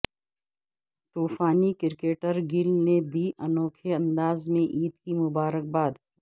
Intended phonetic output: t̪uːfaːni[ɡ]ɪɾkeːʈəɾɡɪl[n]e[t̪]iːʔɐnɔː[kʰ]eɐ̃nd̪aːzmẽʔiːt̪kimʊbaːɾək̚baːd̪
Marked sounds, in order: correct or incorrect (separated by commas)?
incorrect, correct, incorrect, correct